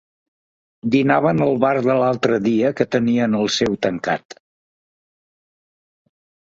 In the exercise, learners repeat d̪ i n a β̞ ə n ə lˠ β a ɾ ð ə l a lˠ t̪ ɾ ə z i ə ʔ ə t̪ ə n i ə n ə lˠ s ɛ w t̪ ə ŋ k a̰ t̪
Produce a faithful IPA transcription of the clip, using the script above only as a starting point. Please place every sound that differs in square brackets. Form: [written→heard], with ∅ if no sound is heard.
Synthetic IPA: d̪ i n a β̞ ə n ə lˠ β a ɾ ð ə l a lˠ t̪ ɾ ə [z→ð] i ə [ʔ→k] ə t̪ ə n i ə n ə lˠ s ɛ w t̪ ə ŋ k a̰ t̪

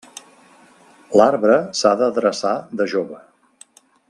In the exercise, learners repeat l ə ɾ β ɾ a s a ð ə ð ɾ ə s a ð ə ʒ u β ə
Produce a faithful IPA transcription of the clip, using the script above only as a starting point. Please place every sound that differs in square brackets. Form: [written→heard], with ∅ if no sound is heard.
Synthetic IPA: l [ə→a] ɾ β ɾ [a→ə] s a ð ə ð ɾ ə s a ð ə ʒ [u→o] β ə

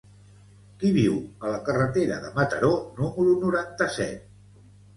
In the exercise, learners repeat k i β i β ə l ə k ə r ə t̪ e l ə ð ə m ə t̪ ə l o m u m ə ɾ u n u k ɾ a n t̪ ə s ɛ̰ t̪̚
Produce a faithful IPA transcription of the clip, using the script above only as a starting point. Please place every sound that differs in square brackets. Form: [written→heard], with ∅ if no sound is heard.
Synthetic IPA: k i β i [β→w] ə l ə k ə r ə t̪ e [l→ɾ] ə ð ə m ə t̪ ə [l→ɾ] o [m→n] u m ə ɾ u n u [k→∅] ɾ a n t̪ ə s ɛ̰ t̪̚

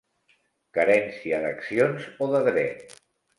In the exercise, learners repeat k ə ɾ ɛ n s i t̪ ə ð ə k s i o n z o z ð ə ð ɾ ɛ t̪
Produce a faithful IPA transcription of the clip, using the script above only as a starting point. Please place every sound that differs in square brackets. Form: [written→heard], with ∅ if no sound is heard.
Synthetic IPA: k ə ɾ ɛ n s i [t̪→∅] ə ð ə k s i o n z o [z→∅] ð ə ð ɾ ɛ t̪

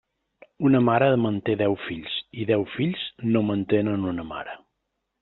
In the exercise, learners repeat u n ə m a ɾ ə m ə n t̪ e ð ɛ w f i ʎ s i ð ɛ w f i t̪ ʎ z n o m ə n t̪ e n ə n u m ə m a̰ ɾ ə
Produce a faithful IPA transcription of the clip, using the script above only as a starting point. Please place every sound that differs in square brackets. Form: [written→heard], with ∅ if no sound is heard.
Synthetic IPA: u n ə m a ɾ ə m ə n t̪ e ð ɛ w f i ʎ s i ð ɛ w f i [t̪→∅] ʎ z n o m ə n t̪ e n ə n u [m→n] ə m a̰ ɾ ə

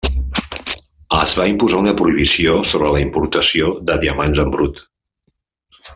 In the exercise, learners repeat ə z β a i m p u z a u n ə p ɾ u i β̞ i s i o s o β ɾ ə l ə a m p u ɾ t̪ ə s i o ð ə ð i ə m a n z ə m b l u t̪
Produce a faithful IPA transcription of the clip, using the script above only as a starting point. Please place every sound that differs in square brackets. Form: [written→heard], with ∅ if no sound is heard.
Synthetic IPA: ə z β a i m p u z a u n ə p ɾ u i β̞ i s i o s o β ɾ ə l ə [a→i] m p u ɾ t̪ ə s i o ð ə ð i ə m a n z ə m b [l→ɾ] u t̪

